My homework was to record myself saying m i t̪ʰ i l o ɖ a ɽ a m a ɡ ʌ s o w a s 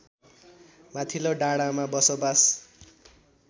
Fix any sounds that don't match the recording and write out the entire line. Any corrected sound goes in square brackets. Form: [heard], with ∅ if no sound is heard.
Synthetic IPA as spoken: m [a] t̪ʰ i l o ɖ a ɽ a m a [b] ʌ s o [b] a s